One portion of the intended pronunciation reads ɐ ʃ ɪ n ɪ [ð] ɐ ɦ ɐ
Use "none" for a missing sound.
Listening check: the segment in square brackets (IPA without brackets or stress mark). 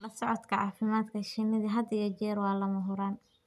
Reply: ð